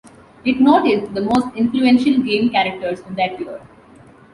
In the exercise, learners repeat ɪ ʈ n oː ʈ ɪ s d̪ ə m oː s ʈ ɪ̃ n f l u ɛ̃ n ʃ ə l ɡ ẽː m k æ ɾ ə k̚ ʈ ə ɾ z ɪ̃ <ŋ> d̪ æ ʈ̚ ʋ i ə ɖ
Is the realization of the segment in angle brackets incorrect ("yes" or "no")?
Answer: yes